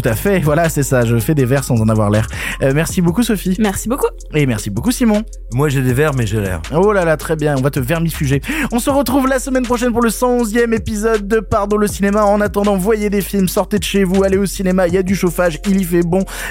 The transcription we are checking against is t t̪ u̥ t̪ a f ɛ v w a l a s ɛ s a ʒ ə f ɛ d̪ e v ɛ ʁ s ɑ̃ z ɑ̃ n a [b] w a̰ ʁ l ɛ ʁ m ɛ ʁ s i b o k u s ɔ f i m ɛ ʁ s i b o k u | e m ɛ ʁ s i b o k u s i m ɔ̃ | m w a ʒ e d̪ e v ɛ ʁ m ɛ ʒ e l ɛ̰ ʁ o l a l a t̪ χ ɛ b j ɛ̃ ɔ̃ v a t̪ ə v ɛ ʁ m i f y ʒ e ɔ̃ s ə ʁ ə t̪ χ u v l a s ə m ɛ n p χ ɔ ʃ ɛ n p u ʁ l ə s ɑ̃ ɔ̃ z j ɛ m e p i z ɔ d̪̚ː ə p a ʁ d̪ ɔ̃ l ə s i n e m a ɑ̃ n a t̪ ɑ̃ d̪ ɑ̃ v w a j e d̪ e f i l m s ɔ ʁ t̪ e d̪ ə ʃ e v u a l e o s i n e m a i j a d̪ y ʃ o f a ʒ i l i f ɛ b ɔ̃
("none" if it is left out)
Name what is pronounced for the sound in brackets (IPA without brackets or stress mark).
v